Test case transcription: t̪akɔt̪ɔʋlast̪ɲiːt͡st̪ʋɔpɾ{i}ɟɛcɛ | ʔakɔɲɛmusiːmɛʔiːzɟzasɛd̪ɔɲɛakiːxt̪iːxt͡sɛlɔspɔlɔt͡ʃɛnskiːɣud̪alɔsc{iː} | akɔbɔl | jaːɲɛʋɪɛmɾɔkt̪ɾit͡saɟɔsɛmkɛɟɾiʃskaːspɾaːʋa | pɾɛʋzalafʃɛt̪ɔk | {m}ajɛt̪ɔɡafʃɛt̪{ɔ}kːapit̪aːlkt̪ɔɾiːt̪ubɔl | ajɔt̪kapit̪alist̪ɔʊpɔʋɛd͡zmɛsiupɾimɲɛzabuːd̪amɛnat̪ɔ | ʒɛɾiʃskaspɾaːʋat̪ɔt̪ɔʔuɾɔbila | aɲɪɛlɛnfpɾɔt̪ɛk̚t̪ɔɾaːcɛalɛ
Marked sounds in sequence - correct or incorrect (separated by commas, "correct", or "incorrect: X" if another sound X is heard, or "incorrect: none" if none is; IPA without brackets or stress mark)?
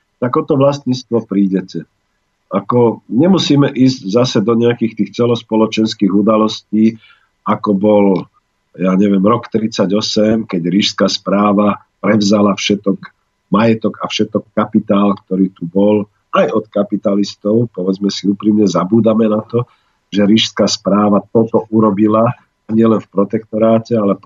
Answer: incorrect: iː, correct, correct, correct